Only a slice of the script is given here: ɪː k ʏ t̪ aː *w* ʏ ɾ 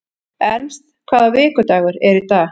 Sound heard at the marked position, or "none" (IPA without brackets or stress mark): ɣ